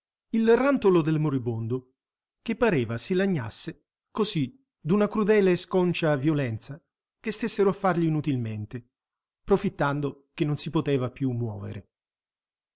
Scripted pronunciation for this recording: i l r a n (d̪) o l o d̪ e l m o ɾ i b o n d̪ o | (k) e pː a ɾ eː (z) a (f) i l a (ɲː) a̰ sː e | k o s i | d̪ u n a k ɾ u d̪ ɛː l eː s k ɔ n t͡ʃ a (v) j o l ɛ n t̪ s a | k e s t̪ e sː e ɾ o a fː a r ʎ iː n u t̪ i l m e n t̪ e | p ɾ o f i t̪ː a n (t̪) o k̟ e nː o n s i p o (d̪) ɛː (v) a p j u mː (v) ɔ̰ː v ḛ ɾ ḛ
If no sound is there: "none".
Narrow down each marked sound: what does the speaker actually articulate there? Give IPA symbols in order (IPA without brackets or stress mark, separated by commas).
t̪, k, v, s, ɲː, v, d̪, t̪, v, w